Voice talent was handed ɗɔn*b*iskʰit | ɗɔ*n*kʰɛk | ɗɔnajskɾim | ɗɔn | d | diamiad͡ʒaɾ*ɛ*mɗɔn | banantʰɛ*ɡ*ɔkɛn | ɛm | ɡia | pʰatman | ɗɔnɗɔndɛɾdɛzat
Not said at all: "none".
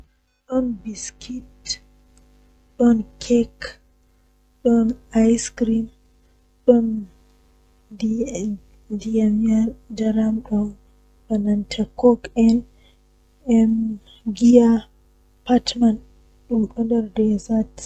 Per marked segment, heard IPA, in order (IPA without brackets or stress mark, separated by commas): b, n, a, k